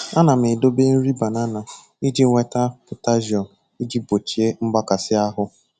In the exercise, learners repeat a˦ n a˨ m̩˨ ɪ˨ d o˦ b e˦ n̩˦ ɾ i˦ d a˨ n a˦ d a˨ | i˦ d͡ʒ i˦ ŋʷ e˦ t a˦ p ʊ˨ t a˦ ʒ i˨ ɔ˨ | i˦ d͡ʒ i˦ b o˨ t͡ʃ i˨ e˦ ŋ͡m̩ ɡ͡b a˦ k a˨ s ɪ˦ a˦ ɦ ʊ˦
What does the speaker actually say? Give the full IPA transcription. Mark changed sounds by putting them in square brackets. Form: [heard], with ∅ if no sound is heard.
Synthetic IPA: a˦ n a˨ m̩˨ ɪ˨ d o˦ b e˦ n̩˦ ɾ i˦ [b] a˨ n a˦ [n] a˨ | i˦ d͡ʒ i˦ ŋʷ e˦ t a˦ p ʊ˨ t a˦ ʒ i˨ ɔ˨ | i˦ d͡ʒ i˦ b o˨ t͡ʃ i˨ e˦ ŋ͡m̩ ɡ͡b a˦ k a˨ s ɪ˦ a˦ ɦ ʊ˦